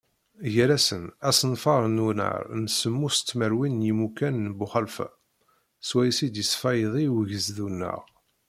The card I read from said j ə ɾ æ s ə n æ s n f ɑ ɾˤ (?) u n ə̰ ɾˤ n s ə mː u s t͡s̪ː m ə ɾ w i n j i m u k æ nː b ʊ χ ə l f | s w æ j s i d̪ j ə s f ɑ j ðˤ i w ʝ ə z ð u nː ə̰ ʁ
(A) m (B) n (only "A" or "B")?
B